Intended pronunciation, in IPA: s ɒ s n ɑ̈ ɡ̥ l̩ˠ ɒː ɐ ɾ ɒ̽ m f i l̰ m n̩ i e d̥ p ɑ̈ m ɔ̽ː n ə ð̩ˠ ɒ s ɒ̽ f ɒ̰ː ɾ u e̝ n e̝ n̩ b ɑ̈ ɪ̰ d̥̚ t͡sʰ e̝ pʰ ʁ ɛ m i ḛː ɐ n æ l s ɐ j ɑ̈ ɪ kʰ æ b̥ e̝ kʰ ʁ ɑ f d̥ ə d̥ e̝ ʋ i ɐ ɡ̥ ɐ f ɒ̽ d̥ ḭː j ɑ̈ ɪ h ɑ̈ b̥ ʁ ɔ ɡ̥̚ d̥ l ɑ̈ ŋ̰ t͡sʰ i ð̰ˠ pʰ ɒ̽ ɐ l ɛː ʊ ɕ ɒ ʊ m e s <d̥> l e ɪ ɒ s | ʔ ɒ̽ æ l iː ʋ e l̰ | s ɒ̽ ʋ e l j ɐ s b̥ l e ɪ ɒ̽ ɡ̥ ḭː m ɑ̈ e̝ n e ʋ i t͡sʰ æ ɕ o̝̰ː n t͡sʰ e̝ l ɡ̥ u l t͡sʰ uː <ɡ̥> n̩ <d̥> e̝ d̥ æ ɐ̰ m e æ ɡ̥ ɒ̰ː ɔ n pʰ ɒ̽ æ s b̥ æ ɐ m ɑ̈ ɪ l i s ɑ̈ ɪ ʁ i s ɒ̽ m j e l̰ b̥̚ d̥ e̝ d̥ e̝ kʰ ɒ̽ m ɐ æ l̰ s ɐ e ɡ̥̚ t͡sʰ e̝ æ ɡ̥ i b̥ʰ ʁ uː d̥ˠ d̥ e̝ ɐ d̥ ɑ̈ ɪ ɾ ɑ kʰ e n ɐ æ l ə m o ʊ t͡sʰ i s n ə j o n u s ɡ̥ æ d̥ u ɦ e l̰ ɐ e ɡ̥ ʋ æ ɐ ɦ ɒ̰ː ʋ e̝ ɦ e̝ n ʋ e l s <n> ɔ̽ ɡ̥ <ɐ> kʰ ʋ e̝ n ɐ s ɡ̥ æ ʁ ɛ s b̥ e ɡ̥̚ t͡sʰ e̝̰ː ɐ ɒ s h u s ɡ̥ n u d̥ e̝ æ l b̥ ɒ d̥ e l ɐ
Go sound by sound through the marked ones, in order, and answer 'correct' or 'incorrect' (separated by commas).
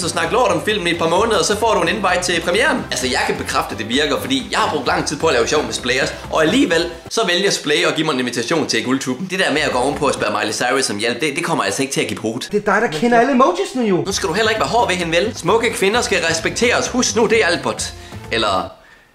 incorrect, incorrect, correct, incorrect, incorrect